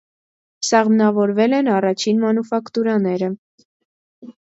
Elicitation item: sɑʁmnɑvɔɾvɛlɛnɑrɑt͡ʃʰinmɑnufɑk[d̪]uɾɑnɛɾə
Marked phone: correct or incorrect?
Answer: incorrect